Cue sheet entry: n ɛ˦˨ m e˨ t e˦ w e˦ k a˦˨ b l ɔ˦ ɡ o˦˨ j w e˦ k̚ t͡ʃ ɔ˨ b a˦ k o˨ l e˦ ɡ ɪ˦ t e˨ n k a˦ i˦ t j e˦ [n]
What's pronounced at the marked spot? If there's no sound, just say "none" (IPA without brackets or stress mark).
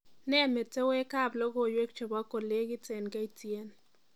n